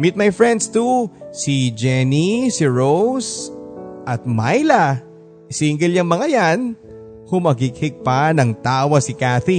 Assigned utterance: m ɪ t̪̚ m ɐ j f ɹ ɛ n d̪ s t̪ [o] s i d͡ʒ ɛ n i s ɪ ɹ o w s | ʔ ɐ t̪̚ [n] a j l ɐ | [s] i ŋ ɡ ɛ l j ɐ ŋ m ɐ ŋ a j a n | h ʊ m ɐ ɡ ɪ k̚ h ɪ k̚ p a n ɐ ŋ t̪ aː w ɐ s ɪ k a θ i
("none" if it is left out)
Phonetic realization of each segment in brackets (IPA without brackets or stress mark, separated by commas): u, m, s